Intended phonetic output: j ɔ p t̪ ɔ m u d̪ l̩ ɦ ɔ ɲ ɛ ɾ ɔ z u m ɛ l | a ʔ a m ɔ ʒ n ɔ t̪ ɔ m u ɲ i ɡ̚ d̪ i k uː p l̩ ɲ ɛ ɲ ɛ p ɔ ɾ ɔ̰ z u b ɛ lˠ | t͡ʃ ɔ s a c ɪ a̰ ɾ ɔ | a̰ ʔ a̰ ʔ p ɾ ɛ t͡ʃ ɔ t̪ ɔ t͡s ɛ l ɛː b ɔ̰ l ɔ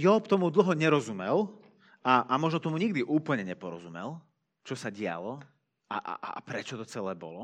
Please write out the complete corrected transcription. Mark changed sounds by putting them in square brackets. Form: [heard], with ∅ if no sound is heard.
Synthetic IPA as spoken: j ɔ p t̪ ɔ m u d̪ l̩ ɦ ɔ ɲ ɛ ɾ ɔ z u m ɛ l | a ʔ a m ɔ ʒ n ɔ t̪ ɔ m u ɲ i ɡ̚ d̪ i [ʔ] uː p l̩ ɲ ɛ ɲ ɛ p ɔ ɾ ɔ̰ z u [m] ɛ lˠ | t͡ʃ ɔ s a [ɟ] ɪ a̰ [l] ɔ | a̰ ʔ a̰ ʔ p ɾ ɛ t͡ʃ ɔ t̪ ɔ t͡s ɛ l ɛː b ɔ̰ l ɔ